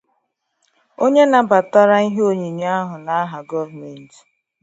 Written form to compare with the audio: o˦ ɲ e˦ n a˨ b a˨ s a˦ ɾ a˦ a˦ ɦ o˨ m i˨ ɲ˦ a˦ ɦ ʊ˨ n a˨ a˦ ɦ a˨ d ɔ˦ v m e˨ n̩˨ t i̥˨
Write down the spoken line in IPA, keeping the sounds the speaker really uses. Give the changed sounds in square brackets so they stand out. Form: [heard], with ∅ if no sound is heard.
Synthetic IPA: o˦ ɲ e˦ n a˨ b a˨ [t] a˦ ɾ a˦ [i˦] ɦ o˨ [ɲ] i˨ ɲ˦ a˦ ɦ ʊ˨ n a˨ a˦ ɦ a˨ [ɡ] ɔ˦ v m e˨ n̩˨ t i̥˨